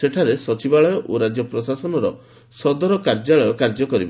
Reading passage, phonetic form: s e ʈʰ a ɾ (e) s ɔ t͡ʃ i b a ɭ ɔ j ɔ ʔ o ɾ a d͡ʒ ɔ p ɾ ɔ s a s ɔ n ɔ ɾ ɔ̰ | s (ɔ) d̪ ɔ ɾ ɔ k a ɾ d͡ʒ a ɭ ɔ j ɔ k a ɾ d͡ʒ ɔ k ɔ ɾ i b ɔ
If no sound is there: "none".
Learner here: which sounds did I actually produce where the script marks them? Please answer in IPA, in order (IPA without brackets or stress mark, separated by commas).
e, ɔ